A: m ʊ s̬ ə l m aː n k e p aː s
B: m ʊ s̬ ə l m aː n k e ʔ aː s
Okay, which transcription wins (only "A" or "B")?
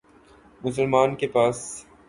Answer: A